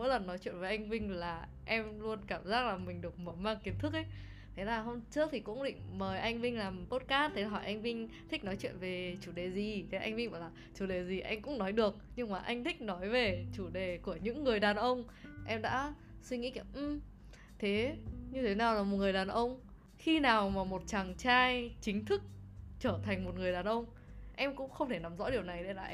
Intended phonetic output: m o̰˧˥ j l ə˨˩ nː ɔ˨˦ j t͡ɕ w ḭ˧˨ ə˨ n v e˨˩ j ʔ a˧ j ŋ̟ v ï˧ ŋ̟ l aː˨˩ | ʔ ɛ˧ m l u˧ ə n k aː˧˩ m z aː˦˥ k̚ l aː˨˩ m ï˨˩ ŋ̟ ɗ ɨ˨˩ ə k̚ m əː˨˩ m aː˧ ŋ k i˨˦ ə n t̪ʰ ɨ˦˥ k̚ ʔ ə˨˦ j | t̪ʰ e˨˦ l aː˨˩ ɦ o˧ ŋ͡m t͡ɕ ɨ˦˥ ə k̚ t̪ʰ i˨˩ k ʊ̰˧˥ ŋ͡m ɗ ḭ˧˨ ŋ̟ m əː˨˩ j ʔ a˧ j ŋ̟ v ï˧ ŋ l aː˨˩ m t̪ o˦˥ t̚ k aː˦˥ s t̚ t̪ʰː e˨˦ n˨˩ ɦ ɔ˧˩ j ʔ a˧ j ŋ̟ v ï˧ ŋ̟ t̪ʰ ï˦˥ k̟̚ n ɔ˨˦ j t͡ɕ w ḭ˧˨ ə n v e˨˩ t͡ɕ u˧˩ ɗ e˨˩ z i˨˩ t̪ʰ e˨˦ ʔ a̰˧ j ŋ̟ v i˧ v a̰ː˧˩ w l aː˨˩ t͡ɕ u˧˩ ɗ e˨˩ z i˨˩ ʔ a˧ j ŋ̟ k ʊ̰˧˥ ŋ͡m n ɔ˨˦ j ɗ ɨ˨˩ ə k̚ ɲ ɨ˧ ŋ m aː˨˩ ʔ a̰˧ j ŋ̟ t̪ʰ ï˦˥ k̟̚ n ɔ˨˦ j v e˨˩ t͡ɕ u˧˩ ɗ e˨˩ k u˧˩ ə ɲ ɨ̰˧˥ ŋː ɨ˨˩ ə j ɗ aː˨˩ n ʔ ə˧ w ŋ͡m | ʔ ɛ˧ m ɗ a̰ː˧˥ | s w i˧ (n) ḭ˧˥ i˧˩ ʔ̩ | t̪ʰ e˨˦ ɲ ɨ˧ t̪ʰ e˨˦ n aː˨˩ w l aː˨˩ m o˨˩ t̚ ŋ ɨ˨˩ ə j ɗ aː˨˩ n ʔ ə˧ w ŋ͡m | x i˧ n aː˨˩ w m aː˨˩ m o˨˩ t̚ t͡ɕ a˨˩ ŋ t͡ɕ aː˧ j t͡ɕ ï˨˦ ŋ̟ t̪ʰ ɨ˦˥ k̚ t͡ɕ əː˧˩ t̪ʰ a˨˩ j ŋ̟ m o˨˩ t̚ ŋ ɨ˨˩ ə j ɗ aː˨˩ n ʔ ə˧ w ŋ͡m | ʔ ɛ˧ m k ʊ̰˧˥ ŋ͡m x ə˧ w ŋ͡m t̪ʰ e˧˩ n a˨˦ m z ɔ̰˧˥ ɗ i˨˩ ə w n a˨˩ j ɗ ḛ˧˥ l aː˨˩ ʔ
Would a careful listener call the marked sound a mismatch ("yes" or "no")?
yes